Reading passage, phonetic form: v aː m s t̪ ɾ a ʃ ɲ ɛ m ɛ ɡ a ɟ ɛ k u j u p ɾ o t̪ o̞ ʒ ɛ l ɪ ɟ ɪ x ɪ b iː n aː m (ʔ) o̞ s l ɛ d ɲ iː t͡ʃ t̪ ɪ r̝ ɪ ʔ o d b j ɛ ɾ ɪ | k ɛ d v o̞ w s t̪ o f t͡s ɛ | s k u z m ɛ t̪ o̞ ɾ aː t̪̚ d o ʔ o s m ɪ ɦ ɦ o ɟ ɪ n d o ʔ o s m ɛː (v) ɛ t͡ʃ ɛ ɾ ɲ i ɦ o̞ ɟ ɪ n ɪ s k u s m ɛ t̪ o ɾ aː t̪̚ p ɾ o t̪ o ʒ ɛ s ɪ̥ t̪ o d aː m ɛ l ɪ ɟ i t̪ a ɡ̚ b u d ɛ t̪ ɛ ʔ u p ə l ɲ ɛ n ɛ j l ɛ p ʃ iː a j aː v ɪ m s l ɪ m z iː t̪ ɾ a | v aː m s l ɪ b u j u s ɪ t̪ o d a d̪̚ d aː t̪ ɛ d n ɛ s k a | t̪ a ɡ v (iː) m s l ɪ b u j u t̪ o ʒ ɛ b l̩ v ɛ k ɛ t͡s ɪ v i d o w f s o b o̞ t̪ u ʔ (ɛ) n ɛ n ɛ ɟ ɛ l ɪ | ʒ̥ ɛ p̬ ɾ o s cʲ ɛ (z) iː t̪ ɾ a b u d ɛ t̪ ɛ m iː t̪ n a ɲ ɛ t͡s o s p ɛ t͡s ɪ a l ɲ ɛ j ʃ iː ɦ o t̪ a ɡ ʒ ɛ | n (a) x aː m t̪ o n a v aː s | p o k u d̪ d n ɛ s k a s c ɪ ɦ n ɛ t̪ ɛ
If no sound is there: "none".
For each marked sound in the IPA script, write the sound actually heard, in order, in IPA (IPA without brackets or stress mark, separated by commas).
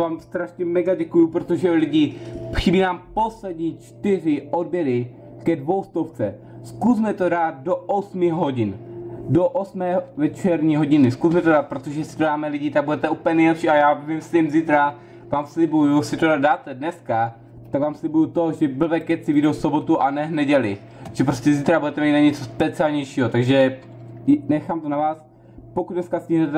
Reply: p, v, aː, a, z, ɛ